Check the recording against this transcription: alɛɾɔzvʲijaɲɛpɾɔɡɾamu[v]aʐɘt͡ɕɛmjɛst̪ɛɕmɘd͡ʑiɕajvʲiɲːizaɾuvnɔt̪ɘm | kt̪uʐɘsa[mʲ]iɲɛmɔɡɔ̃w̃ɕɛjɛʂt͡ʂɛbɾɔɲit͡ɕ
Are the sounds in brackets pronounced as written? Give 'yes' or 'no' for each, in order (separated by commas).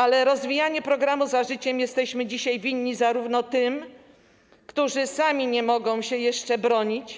no, yes